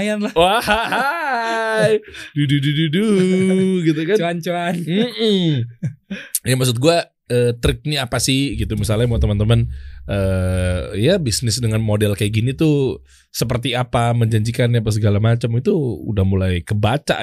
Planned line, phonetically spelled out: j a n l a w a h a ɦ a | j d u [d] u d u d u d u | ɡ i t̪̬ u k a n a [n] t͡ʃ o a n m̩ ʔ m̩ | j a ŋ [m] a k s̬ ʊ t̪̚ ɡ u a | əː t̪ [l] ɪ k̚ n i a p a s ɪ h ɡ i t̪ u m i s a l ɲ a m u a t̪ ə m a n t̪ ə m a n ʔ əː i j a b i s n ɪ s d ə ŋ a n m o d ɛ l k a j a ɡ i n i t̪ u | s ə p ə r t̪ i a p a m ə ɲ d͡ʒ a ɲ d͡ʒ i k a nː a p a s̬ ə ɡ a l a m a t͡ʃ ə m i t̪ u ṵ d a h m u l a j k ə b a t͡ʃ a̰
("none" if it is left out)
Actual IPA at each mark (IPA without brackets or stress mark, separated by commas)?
d, n, m, ɾ